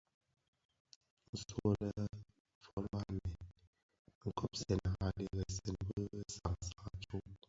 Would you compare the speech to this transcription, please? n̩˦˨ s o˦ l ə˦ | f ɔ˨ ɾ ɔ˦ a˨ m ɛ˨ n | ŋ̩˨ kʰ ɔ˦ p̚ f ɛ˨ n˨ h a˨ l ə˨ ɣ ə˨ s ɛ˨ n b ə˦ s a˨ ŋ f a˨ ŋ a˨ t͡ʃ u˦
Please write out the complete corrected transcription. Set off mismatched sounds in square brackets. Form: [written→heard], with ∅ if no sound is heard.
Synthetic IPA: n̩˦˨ s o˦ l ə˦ | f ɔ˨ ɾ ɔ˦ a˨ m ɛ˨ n | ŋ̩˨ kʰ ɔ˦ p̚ [f→s] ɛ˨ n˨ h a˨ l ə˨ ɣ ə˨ s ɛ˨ n b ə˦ s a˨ ŋ [f→s] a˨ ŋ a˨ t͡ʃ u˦